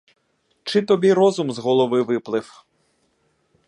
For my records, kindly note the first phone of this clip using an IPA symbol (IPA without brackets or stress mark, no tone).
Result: t͡ʃ